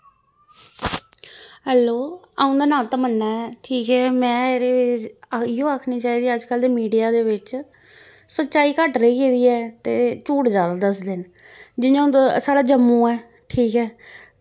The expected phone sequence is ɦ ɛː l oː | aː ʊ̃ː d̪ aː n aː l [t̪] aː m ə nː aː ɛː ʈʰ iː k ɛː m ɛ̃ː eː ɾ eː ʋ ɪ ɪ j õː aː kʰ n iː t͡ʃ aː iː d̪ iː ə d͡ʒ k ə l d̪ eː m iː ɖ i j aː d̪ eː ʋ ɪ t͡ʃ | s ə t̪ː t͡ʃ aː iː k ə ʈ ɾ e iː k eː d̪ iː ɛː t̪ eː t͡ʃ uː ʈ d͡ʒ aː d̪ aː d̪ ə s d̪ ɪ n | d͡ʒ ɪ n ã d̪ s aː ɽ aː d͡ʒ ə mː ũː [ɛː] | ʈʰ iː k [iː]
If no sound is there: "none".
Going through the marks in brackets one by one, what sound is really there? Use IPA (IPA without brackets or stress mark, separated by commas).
t̪, ɛː, ɛː